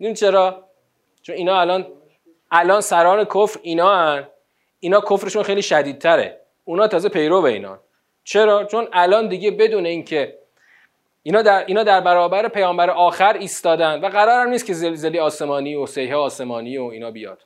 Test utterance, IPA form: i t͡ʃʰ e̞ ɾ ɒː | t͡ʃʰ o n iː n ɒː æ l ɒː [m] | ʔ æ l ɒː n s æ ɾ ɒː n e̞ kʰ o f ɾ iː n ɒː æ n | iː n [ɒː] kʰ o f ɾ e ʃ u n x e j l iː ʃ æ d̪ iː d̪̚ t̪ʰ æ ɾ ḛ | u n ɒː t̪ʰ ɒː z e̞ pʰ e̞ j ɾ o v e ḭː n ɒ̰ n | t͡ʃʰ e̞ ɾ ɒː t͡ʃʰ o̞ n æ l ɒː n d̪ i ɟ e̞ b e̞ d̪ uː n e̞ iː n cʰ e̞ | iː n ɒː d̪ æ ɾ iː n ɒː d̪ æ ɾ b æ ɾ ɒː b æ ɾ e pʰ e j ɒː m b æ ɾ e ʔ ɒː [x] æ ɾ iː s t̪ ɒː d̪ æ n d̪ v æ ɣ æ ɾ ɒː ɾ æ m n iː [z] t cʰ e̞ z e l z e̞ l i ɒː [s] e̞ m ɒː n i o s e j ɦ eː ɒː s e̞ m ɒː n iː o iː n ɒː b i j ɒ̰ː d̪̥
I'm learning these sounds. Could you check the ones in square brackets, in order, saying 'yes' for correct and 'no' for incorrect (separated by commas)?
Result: no, yes, yes, no, yes